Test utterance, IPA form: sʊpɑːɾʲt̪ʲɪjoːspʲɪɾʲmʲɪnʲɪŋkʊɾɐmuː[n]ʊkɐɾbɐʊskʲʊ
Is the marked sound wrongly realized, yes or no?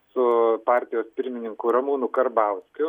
no